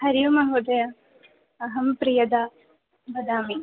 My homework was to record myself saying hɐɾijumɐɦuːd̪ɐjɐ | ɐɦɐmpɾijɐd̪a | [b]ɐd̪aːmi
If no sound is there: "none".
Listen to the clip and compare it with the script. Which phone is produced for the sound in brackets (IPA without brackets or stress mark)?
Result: b